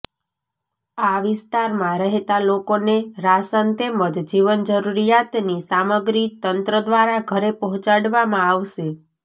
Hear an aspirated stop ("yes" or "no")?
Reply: no